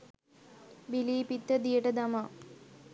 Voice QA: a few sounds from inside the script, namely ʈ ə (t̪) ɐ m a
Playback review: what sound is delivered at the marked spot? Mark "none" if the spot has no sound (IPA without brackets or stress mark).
d̪